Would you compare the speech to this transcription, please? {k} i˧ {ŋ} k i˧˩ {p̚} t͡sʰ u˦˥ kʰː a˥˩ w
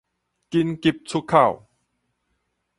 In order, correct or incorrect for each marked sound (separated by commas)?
correct, incorrect, correct